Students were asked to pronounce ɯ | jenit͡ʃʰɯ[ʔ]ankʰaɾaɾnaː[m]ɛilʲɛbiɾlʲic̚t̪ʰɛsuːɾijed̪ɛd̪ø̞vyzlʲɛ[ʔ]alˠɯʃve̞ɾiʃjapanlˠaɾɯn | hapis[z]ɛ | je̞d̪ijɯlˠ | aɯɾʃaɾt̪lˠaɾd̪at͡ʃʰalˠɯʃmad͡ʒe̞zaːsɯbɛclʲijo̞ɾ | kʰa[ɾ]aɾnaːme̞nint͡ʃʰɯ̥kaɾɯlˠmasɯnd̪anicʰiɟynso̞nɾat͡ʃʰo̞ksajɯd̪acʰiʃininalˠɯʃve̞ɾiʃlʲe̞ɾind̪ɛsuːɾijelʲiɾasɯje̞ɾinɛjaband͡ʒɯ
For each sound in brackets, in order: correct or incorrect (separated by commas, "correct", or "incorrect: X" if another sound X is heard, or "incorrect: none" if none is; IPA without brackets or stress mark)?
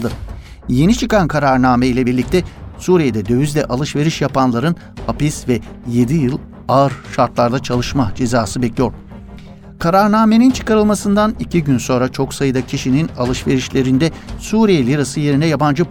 incorrect: k, correct, correct, incorrect: v, correct